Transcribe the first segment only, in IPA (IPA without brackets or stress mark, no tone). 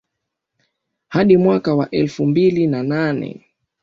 h